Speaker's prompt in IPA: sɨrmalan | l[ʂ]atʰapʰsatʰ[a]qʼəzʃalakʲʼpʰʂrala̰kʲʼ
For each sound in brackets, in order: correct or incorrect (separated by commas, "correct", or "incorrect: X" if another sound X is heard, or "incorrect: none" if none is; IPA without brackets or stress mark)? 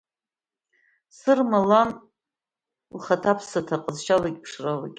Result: incorrect: χ, correct